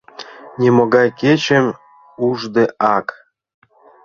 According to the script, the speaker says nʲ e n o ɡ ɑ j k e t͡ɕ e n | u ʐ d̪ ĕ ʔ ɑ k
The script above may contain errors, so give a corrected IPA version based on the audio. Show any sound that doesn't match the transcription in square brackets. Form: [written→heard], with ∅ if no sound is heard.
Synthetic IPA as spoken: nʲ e [n→m] o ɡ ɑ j k e t͡ɕ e [n→m] | u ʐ d̪ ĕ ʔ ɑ k